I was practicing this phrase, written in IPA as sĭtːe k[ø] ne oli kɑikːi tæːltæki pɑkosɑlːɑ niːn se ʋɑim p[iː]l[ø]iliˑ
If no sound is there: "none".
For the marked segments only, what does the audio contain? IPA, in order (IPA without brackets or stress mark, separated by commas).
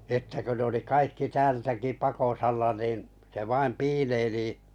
ø, iː, e